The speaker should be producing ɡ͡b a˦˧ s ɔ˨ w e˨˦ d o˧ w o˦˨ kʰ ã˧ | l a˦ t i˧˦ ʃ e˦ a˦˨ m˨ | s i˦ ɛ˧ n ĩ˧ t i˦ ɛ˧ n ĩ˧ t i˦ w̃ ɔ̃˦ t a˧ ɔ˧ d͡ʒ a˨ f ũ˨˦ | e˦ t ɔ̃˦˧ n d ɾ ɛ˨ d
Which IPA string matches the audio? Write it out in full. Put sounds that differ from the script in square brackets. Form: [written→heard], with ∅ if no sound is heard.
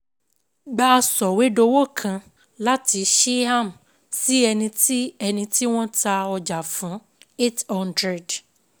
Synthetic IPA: ɡ͡b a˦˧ s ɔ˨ w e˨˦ d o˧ w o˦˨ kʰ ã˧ | l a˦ t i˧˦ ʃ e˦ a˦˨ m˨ | s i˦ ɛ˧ n ĩ˧ t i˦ ɛ˧ n ĩ˧ t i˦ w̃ ɔ̃˦ t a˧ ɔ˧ d͡ʒ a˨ f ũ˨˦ | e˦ t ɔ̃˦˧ n d ɾ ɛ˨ d